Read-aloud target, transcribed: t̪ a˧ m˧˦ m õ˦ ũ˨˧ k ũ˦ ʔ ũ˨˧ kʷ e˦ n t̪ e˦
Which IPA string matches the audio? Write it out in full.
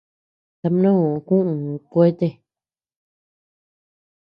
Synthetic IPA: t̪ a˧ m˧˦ n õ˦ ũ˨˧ k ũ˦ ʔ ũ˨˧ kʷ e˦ t̪ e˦